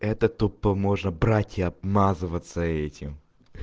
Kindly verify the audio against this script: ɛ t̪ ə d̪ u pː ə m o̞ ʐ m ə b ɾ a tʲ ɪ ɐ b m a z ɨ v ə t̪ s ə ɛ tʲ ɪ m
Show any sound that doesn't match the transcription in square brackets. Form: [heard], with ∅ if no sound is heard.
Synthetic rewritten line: ɛ t̪ ə [t̪] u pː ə m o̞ ʐ [n] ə b ɾ a tʲ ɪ ɐ b m a z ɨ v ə t̪ s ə ɛ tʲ ɪ m